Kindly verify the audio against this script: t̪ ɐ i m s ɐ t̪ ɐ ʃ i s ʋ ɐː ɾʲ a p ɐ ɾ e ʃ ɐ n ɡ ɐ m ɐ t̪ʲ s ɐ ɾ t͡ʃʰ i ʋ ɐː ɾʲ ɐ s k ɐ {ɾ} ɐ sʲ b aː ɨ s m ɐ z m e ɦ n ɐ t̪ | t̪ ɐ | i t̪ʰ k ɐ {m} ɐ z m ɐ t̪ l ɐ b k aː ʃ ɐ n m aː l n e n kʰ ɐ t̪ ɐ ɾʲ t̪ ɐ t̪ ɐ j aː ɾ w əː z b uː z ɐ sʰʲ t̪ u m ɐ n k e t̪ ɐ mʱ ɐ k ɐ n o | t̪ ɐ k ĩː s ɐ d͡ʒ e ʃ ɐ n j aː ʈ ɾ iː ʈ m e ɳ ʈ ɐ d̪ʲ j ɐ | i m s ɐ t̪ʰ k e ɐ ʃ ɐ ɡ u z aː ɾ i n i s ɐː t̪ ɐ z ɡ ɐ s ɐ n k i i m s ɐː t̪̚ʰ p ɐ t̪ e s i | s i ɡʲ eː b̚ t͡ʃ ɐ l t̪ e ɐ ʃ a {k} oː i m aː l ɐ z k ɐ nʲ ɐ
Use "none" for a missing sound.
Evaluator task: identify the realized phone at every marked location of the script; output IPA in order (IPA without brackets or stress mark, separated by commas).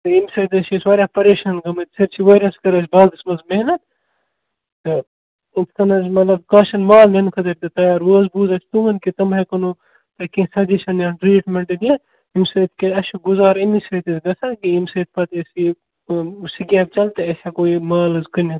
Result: ɾ, n, k